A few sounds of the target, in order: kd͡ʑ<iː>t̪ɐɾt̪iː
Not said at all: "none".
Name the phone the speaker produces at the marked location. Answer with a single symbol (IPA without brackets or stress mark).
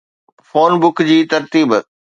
iː